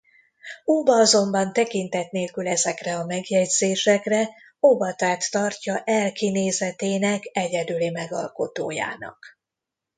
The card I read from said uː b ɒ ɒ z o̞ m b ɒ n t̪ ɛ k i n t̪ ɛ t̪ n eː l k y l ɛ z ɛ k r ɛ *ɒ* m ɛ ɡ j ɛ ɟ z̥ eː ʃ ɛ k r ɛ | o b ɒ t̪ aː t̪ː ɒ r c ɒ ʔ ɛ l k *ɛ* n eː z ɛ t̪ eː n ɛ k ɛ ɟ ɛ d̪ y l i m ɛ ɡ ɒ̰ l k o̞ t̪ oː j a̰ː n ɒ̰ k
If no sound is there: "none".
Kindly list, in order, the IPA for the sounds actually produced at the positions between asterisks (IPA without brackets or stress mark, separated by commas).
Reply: ɒ, i